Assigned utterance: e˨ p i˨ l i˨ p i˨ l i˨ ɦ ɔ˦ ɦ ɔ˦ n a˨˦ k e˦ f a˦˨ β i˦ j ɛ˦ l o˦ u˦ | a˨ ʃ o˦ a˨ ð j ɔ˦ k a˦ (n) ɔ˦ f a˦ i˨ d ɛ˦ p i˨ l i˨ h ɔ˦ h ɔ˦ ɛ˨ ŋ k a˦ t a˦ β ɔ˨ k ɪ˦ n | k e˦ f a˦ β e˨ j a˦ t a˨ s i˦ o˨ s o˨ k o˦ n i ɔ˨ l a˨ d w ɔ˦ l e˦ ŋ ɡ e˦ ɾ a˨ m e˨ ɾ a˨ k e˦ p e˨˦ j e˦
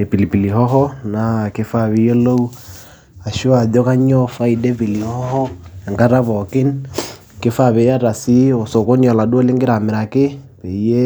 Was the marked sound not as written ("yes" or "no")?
yes